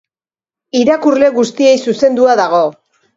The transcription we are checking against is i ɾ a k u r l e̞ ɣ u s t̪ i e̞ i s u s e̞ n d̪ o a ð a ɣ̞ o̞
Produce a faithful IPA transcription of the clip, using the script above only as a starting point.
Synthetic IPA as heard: i ɾ a k u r l e̞ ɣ u s t̪ i e̞ j s u s e̞ n d̪ u a ð a ɣ̞ o̞